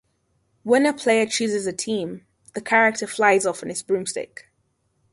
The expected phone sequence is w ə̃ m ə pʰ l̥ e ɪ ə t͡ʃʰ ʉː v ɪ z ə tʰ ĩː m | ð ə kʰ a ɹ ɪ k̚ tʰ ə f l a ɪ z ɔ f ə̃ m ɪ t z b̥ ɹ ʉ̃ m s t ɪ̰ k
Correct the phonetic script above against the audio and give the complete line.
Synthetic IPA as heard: w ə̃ n ə pʰ l̥ e ɪ ə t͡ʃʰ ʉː z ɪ z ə tʰ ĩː m | ð ə kʰ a ɹ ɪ k̚ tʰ ə f l a ɪ z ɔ f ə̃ n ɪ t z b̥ ɹ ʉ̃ m s t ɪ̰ k